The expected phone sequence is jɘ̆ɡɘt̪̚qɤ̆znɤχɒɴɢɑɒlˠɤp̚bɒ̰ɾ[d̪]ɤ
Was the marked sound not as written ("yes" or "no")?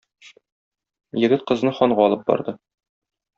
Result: no